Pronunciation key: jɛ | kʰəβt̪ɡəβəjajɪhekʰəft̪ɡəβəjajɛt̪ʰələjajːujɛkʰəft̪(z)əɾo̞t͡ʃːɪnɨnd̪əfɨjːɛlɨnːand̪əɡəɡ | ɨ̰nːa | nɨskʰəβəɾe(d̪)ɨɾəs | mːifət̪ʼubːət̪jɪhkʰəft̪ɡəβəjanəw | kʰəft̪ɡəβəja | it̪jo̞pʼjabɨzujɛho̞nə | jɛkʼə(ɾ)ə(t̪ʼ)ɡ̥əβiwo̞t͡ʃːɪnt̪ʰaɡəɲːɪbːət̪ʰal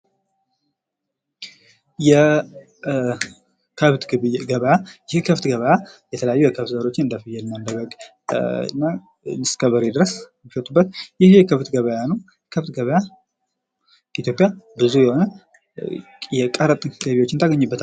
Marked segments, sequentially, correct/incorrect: correct, correct, correct, correct

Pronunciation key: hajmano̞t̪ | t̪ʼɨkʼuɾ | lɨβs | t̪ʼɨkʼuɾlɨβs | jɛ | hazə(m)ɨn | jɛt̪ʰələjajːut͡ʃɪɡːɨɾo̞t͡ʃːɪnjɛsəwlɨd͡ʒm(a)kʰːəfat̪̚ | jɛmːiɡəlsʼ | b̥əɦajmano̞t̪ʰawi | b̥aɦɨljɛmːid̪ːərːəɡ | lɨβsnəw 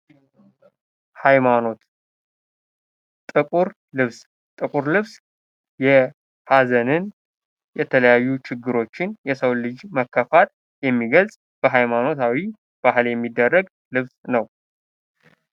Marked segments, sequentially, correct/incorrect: incorrect: n, incorrect: ə

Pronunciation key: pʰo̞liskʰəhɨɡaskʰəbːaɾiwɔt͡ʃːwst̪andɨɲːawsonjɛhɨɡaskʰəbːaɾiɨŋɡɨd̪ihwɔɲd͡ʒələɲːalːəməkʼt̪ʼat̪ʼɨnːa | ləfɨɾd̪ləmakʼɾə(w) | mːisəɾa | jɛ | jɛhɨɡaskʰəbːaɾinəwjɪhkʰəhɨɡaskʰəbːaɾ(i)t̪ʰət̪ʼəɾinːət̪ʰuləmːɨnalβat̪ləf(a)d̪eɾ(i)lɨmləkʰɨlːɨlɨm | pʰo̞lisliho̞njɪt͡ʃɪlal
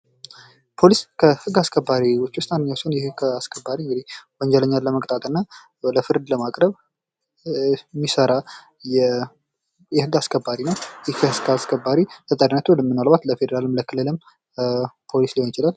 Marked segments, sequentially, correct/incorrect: incorrect: β, correct, incorrect: e, incorrect: a

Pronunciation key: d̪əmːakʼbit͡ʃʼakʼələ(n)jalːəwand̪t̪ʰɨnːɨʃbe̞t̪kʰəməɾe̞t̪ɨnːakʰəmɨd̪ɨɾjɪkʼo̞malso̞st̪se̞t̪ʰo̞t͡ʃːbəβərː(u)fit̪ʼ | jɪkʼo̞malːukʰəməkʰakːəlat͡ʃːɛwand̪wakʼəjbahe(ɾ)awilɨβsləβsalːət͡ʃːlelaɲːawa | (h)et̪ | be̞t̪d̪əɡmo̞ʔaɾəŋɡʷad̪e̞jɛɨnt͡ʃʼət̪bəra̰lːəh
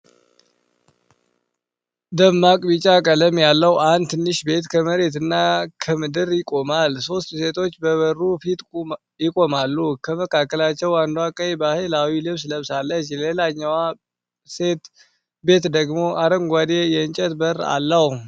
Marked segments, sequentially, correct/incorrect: incorrect: m, correct, incorrect: l, incorrect: s

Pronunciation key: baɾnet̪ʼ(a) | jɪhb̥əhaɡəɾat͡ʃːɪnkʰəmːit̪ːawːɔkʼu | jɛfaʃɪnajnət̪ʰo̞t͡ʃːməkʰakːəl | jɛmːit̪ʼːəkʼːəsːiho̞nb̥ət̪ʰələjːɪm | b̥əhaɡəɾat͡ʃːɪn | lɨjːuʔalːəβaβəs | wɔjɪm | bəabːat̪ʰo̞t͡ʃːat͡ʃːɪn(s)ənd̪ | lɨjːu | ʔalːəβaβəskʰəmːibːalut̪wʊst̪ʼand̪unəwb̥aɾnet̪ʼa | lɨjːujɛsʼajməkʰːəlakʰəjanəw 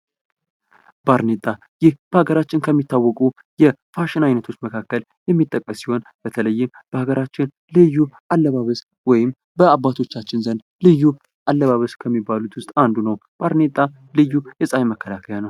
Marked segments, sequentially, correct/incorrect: correct, incorrect: z

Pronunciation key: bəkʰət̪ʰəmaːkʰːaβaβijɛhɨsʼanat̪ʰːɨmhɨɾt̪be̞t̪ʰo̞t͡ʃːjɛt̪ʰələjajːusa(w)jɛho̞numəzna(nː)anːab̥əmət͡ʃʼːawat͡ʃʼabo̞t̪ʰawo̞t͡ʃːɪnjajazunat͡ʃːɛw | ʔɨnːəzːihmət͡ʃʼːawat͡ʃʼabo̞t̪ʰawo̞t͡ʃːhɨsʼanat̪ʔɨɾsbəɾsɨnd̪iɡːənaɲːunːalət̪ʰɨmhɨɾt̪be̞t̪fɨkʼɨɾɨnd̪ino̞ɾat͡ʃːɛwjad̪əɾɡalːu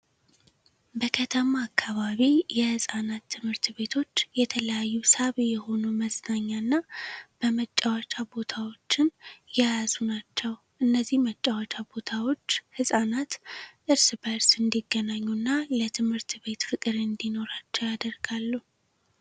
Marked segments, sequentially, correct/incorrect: incorrect: β, incorrect: ɲː

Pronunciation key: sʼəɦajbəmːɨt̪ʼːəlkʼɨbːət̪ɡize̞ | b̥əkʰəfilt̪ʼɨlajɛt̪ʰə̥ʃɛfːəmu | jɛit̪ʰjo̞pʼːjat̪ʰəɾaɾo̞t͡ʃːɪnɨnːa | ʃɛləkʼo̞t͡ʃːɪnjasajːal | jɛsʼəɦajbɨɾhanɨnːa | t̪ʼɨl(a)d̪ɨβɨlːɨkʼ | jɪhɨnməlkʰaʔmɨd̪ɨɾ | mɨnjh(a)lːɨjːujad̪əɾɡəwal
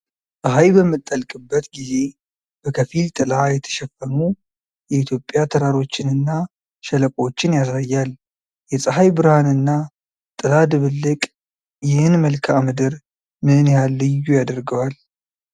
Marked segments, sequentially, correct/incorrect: correct, correct

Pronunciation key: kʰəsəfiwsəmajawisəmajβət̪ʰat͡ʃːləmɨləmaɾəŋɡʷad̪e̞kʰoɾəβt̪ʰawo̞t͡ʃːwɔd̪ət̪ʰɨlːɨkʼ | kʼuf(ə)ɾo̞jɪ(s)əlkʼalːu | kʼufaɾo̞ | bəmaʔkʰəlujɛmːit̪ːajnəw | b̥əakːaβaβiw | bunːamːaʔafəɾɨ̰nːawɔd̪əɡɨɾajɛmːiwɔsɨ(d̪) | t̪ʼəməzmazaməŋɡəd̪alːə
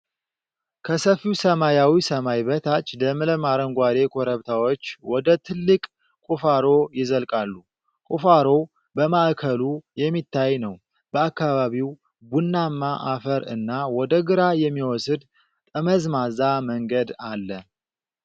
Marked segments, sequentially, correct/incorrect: incorrect: a, incorrect: z, correct

